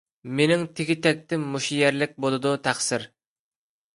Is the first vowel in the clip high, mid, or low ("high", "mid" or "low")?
mid